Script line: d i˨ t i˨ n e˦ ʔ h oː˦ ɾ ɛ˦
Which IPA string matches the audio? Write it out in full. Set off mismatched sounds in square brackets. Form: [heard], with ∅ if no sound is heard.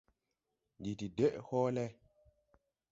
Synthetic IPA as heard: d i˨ t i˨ [d] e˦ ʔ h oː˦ [l] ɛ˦

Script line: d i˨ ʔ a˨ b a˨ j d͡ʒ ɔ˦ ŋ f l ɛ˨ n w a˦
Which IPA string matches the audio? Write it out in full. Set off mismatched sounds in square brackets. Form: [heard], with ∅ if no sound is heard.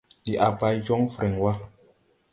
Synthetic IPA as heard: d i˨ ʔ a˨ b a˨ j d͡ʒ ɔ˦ ŋ f [ɾ] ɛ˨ [ŋ] w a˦

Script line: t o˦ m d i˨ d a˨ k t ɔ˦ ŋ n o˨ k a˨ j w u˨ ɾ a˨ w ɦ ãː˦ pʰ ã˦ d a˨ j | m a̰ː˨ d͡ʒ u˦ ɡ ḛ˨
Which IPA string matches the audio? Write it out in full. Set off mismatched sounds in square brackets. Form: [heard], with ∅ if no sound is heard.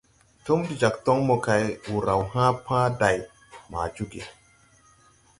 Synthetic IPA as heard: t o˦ m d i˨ [d͡ʒ] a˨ k t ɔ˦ ŋ [m] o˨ k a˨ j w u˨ ɾ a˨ w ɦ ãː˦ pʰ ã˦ d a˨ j | m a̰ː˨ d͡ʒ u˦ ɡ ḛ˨

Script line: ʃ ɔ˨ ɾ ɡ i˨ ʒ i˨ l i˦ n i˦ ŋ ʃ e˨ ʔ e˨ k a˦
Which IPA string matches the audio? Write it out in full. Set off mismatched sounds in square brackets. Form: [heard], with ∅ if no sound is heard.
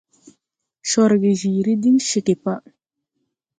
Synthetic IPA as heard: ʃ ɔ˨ ɾ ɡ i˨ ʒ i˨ [ɾ] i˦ [d] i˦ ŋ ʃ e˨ [k] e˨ [p] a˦

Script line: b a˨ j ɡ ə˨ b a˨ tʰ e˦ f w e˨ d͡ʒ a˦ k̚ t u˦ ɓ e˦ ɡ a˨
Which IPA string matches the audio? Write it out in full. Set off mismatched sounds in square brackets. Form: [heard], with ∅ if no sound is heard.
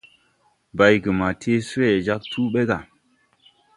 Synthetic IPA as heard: b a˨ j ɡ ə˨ [m] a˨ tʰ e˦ [s] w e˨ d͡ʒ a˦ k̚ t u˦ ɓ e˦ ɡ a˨

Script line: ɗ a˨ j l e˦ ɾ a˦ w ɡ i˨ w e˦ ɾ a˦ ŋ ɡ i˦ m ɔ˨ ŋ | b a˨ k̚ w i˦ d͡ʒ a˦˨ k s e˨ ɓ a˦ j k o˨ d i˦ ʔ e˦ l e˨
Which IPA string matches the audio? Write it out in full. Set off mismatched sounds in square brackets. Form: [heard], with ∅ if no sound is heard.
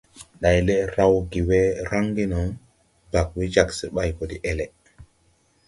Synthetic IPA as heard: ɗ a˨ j l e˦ ɾ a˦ w ɡ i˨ w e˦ ɾ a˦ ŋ ɡ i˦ [n] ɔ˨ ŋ | b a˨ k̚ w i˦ d͡ʒ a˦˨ k s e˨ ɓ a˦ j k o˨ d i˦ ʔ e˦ l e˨

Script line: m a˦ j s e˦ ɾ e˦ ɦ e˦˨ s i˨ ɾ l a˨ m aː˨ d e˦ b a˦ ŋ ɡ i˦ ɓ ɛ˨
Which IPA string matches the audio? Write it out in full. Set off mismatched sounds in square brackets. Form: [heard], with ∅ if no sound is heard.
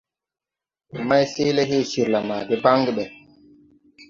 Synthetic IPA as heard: m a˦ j s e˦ [l] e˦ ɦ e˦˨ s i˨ ɾ l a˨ m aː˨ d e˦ b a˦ ŋ ɡ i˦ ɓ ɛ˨

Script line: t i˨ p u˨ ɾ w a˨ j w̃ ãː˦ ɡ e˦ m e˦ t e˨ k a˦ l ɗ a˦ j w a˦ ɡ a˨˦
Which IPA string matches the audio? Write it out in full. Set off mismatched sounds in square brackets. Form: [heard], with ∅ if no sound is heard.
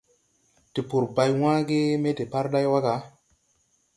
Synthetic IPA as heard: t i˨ p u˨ ɾ [b] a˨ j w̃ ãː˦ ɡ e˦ m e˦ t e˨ [p] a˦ [ɾ] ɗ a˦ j w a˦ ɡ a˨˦

